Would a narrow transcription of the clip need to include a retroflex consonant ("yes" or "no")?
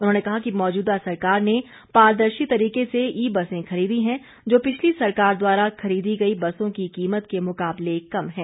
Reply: no